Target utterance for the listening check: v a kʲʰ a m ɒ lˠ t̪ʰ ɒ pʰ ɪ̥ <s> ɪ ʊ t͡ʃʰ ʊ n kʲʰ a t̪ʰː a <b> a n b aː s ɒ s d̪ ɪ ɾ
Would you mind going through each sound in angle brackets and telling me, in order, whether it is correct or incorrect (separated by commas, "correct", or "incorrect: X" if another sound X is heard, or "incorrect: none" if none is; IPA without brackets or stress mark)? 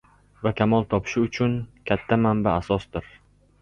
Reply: incorrect: ʃ, incorrect: m